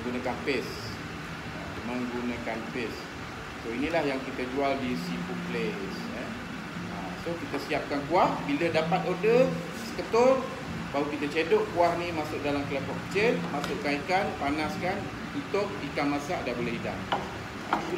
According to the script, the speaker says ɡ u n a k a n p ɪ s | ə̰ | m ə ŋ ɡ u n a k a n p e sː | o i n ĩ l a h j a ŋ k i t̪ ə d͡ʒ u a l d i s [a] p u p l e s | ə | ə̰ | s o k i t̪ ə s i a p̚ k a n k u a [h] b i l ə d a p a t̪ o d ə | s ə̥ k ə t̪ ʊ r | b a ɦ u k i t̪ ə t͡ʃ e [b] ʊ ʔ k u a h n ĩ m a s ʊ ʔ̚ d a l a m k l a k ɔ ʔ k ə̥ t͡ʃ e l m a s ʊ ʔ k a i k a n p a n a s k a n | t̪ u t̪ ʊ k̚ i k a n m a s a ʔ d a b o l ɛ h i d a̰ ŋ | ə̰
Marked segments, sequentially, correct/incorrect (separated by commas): incorrect, correct, incorrect